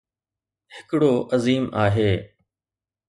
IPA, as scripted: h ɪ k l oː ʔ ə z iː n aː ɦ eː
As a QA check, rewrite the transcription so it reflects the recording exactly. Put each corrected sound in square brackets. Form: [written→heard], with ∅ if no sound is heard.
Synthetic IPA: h ɪ k [l→ɽ] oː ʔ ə z iː [n→m] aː ɦ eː